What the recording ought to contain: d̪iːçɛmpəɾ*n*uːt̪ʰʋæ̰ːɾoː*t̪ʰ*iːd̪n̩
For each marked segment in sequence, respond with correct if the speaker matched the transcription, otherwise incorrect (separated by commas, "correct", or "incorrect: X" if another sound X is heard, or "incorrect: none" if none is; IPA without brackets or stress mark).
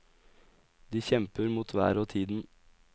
incorrect: m, correct